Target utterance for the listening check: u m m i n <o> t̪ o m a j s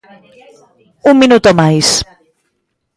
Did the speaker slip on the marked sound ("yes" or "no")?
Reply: yes